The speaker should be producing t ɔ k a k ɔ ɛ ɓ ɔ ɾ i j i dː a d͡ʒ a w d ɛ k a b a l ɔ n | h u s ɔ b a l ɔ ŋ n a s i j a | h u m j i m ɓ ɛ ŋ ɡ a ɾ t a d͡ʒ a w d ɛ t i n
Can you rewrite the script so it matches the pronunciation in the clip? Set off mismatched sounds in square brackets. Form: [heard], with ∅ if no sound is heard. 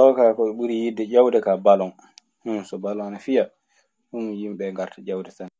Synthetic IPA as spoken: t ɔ k a k ɔ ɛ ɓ [u] ɾ i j i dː [ɛ] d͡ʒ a w d ɛ k a b a l ɔ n | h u s ɔ b a l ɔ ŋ n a [f] i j a | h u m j i m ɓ ɛ ŋ ɡ a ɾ t a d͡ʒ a w d ɛ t [a] n